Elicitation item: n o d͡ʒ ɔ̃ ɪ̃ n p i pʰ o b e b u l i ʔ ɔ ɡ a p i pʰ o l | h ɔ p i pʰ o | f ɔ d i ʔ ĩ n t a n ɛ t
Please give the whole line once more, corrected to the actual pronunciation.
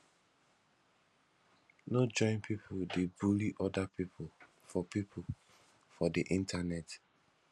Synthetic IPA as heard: n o d͡ʒ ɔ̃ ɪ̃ n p i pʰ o d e b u l i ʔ ɔ d a p i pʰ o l | f ɔ p i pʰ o | f ɔ d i ʔ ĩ n t a n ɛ t

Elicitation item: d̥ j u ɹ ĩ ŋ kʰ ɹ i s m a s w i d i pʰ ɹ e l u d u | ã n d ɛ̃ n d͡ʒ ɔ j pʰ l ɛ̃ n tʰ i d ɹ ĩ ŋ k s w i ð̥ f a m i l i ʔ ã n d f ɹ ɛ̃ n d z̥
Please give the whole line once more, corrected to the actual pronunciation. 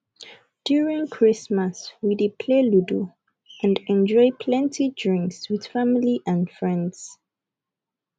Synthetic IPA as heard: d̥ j u ɹ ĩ ŋ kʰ ɹ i s m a s w i d i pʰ l e l u d u | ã n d ɛ̃ n d͡ʒ ɔ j pʰ l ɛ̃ n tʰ i d ɹ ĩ ŋ k s w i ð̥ f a m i l i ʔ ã n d f ɹ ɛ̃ n d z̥

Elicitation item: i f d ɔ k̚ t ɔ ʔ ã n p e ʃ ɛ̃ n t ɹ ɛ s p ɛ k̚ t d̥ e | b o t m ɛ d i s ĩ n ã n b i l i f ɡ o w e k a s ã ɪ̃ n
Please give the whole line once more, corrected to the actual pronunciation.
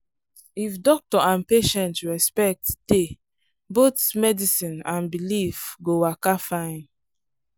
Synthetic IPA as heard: i f d ɔ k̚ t ɔ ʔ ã n p e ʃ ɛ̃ n t ɹ ɛ s p ɛ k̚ t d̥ e | b o t m ɛ d i s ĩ n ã n b i l i f ɡ o w a k a f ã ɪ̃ n

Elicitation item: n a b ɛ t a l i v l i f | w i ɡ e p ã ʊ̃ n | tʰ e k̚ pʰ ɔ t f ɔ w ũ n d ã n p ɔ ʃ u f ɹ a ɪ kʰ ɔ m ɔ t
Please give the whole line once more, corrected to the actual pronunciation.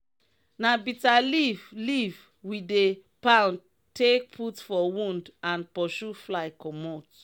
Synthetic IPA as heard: n a b i t a l i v l i v | w i d e p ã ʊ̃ n | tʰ e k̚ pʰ u t f ɔ w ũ n d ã n p ɔ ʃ u f l a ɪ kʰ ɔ m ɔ t

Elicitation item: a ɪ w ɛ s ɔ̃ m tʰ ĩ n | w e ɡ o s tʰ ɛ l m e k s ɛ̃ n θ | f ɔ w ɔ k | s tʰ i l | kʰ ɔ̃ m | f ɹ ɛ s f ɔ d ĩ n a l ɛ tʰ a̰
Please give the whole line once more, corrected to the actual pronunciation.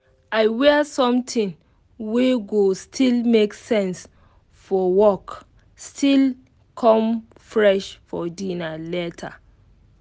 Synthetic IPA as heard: a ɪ w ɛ s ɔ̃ m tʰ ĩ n | w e ɡ o s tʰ i l m e k s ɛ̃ n s | f ɔ w ɔ k | s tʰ i l | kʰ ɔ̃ m | f ɹ ɛ ʃ f ɔ d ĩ n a l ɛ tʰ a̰

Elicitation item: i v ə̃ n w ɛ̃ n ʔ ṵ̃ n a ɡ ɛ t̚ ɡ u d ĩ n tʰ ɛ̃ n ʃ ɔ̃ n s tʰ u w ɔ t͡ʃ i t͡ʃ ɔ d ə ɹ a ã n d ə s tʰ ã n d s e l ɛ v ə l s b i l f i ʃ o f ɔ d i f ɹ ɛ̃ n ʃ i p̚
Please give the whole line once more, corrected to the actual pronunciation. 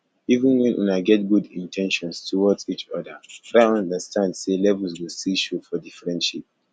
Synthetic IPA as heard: i v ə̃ n w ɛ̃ n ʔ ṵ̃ n a ɡ ɛ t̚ ɡ u d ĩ n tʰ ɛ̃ n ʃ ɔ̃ n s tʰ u w ɔ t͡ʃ i t͡ʃ ɔ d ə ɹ a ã n d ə s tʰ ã n d s e l ɛ v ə l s w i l s i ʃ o f ɔ d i f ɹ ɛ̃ n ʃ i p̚

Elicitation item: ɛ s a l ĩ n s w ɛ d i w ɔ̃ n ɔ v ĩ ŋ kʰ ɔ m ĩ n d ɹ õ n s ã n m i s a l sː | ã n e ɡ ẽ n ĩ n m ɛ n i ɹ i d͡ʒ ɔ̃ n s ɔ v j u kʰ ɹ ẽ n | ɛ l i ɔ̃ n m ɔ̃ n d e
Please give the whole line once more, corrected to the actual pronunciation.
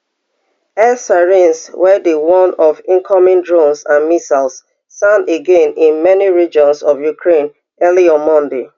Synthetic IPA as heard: ɛ s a ɹ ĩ n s w ɛ d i w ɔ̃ n ɔ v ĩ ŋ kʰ ɔ m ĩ n d ɹ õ n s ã n m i s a l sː | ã n e ɡ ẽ n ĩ n m ɛ n i ɹ i d͡ʒ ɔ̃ n s ɔ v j u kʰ ɹ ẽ n | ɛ l i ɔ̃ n m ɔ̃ n d e

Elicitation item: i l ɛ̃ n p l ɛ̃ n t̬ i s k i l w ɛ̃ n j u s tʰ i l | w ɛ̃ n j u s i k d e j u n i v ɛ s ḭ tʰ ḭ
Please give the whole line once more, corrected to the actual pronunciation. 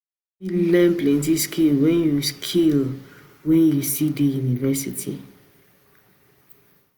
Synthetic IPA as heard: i l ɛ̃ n p l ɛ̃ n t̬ i s k i l w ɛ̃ n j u s kʰ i l | w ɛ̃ n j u s i d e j u n i v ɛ s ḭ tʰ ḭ

